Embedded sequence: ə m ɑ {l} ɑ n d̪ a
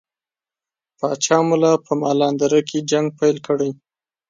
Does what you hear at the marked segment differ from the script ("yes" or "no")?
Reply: no